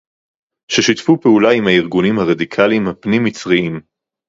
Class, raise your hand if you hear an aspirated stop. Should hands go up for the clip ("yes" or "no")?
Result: yes